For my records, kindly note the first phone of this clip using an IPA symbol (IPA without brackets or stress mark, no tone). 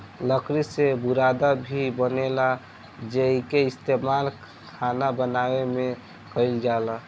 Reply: l